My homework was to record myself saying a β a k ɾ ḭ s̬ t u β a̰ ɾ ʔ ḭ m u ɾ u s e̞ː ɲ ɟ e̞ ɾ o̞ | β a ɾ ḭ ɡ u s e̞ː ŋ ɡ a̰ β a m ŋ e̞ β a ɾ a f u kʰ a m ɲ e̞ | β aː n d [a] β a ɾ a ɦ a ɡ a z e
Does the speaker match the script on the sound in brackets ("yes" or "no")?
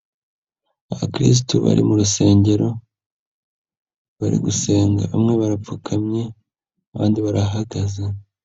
no